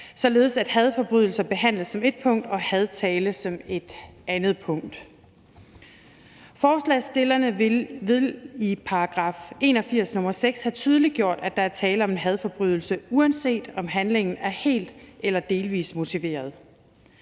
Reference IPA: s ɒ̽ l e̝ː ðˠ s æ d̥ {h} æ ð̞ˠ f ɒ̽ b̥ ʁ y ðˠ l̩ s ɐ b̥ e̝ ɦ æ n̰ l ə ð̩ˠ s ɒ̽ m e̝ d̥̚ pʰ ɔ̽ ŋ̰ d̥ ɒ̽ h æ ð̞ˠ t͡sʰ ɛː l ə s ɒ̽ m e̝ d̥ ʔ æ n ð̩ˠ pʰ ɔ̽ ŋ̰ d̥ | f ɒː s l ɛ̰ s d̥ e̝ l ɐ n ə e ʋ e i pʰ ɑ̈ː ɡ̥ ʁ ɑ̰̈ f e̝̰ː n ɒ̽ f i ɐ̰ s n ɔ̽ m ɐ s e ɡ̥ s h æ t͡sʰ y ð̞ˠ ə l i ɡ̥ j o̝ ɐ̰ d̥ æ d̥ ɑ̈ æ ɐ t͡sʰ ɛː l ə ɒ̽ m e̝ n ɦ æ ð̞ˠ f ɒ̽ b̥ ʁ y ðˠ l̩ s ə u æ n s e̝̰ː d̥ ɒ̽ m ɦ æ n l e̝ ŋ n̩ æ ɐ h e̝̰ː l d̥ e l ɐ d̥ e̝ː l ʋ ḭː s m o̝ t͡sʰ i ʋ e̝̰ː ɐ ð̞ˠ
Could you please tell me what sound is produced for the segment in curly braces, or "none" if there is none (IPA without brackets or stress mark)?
h